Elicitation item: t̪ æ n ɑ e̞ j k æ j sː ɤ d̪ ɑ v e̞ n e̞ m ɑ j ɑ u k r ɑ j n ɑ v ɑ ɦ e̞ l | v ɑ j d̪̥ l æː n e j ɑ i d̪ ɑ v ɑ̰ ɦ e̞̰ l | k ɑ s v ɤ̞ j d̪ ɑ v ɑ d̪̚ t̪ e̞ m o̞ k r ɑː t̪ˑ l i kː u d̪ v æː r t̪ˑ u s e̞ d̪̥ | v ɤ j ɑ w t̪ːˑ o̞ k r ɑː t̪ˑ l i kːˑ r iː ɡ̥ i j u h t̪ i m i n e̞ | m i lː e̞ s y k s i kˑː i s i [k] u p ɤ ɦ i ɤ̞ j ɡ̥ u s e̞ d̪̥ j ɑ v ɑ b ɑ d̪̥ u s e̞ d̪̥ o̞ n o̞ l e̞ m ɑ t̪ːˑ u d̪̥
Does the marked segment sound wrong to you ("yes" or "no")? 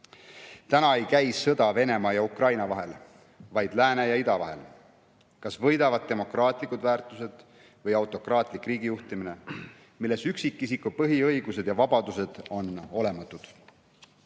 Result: no